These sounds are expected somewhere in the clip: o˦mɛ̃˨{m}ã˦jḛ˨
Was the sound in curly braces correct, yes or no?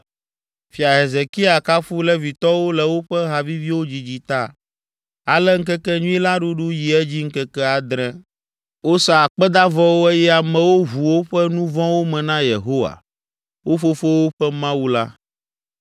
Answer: no